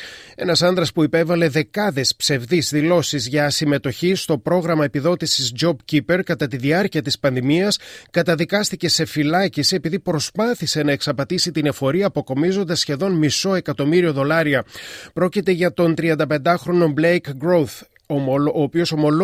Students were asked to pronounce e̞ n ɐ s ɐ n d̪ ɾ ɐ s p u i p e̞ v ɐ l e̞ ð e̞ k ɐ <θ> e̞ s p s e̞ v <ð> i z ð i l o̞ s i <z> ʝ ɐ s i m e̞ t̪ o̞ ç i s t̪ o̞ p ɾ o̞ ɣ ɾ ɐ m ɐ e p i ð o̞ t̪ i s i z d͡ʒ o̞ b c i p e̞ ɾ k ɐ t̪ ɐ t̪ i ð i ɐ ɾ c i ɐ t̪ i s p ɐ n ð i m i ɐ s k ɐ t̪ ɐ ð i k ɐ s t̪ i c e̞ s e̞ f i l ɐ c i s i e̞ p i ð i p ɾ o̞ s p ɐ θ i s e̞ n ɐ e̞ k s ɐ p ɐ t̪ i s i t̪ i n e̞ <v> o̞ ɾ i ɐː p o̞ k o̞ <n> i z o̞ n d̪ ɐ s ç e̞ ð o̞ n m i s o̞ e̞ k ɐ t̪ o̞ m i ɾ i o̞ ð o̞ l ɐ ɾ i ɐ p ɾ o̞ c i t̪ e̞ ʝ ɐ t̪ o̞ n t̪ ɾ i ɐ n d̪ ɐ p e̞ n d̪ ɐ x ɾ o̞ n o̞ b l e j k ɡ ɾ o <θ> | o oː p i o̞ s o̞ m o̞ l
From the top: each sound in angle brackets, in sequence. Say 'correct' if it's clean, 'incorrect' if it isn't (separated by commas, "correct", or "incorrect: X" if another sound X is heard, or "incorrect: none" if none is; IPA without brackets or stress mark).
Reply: incorrect: ð, correct, correct, incorrect: f, incorrect: m, correct